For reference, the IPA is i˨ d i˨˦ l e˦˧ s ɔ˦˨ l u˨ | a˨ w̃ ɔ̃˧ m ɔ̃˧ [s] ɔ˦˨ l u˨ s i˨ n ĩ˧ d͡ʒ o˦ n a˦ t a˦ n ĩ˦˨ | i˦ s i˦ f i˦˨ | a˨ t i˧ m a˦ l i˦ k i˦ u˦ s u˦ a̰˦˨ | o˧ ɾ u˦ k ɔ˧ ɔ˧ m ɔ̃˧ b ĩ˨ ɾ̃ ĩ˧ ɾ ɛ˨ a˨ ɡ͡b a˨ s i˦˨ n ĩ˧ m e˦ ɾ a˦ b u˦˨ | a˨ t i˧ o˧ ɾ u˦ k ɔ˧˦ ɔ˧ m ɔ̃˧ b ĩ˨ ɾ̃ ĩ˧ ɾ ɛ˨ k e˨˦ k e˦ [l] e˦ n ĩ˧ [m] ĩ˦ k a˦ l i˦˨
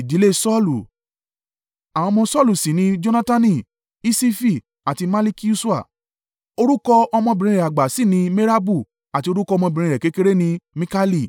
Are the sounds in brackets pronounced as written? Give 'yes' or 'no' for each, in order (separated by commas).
yes, no, yes